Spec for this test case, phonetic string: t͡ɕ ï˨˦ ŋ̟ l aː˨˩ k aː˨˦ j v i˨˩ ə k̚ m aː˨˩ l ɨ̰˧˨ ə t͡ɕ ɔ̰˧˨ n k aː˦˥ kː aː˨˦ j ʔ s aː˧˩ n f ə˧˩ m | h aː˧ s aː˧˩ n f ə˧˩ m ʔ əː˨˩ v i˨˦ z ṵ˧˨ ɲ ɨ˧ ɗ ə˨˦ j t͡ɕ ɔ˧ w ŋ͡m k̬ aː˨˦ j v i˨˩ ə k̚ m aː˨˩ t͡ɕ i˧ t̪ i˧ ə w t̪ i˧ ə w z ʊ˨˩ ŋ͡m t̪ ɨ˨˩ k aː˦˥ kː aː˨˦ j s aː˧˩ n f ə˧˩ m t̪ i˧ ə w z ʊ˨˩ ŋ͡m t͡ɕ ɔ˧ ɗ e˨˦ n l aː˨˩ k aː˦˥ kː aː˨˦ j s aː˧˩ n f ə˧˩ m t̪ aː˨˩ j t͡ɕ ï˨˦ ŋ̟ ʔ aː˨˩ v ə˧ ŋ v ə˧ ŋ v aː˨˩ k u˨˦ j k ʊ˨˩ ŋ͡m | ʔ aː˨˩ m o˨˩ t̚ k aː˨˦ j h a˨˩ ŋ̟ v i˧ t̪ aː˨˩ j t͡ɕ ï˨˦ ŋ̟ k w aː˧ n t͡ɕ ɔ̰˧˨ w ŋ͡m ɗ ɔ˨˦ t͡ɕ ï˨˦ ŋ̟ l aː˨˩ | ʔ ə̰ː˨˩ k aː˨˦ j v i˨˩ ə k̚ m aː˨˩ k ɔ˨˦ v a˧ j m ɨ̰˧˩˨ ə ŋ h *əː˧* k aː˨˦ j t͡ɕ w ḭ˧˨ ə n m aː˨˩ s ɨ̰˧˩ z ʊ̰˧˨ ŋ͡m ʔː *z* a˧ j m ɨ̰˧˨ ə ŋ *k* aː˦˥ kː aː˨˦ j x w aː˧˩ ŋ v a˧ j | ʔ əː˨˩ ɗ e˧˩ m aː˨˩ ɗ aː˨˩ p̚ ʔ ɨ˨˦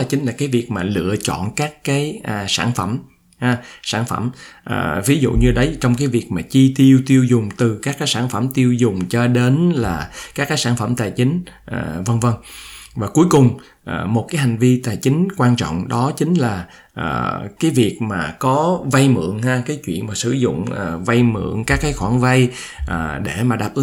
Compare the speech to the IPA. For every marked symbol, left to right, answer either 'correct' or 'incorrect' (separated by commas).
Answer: incorrect, incorrect, correct